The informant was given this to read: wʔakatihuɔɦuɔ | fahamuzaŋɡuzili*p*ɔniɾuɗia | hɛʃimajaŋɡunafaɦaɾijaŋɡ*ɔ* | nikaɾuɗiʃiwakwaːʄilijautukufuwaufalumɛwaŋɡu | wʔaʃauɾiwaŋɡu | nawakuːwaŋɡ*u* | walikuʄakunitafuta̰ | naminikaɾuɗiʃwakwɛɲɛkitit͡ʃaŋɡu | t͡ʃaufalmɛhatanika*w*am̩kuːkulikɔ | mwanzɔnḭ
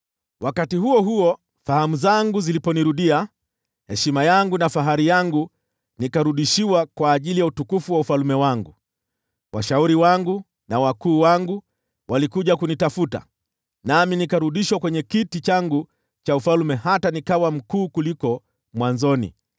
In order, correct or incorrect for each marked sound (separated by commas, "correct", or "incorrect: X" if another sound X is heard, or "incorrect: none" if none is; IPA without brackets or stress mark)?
correct, incorrect: u, correct, correct